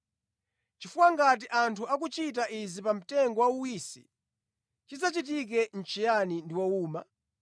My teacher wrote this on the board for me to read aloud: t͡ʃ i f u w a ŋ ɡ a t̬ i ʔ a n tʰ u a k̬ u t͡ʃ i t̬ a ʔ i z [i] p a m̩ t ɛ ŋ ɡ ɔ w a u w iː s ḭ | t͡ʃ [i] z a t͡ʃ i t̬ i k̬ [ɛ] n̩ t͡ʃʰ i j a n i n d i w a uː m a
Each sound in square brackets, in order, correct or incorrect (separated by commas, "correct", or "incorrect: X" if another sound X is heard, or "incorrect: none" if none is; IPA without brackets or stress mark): correct, correct, correct